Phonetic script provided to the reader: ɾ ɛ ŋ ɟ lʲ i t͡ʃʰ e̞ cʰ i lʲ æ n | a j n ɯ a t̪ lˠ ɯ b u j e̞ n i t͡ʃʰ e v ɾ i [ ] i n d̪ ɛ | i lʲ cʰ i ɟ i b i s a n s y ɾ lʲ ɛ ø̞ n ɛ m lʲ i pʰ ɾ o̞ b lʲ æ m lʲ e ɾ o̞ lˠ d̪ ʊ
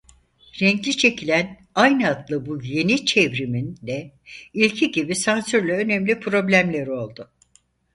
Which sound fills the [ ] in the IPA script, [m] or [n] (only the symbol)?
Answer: m